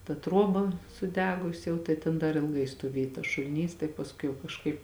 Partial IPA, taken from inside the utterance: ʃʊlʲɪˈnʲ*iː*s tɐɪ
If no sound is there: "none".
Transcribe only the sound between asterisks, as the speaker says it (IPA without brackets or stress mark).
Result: iː